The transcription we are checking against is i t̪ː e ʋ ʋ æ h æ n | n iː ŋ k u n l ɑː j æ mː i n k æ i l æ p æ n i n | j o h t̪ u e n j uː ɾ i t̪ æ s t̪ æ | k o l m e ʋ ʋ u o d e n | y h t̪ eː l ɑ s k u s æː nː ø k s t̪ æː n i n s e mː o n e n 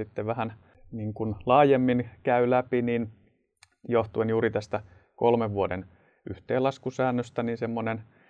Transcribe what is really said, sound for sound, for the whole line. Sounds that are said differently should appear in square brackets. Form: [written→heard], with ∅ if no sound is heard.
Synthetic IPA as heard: i t̪ː e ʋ ʋ æ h æ n | n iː ŋ k u n l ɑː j [æ→e] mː i n k æ [i→y] l æ p [æ→i] n i n | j o h t̪ u e n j uː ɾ i t̪ æ s t̪ æ | k o l m e ʋ ʋ u o d e n | y h t̪ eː l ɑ s k u s æː nː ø [k→∅] s t̪ [æː→æ] n i n s e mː o n e n